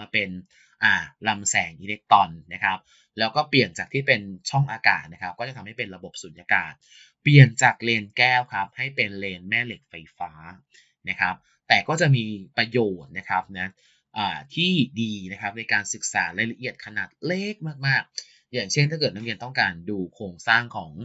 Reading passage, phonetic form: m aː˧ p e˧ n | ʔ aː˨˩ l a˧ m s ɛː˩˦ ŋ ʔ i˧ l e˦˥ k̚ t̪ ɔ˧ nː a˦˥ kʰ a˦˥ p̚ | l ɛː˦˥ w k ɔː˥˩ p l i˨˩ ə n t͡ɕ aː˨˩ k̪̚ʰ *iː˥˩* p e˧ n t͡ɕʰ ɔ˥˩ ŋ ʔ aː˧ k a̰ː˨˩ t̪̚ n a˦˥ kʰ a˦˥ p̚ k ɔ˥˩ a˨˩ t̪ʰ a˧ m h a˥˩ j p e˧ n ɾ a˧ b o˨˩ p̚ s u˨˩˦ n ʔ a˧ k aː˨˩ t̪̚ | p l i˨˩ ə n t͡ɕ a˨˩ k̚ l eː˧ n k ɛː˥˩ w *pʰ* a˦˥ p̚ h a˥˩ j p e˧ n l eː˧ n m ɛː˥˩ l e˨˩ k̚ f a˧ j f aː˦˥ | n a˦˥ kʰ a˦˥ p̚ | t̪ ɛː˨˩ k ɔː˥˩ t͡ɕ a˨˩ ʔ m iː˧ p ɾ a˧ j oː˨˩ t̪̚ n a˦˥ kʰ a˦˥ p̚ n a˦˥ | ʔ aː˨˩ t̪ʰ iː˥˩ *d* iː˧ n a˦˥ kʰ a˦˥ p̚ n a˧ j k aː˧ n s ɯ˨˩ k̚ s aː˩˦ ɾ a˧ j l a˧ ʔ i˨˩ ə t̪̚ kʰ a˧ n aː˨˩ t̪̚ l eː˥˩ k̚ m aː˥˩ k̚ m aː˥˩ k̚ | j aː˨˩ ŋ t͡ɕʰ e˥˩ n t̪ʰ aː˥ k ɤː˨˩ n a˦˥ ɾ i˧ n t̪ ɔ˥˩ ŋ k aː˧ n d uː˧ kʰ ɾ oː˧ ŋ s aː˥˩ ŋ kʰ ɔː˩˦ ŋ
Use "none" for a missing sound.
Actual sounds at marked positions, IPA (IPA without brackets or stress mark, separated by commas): iː˥˩, kʰ, d